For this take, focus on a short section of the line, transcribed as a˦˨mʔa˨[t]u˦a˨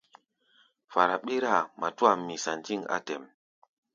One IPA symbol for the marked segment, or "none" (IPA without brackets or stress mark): t